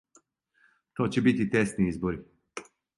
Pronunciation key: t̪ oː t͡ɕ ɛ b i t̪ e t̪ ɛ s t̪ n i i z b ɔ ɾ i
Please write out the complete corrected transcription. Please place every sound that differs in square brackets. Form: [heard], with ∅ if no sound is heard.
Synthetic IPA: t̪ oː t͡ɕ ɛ b i t̪ [i] t̪ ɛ s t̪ n i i z b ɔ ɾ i